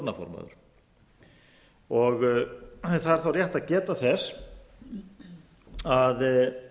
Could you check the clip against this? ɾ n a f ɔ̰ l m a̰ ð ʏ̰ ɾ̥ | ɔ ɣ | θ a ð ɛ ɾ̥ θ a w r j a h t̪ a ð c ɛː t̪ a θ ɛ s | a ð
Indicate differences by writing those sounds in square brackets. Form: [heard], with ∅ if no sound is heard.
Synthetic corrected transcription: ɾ n a f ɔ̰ [ɾ] m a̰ ð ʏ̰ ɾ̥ | ɔ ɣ | θ a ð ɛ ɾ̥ θ a w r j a h t̪ a ð c ɛː t̪ a θ ɛ s | a ð